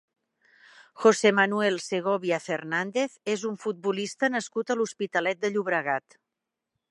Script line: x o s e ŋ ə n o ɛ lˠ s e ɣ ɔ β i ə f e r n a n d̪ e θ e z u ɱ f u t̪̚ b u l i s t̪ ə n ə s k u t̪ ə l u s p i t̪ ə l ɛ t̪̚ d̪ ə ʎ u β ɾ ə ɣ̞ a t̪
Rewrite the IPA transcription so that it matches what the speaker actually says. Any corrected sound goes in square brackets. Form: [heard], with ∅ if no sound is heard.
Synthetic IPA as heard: x o s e [m] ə n [u] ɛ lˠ s e ɣ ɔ β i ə f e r n a n d̪ e θ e z u ɱ f u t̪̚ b u l i s t̪ ə n ə s k u t̪ ə l u s p i t̪ ə l ɛ t̪̚ d̪ ə ʎ u β ɾ ə ɣ̞ a t̪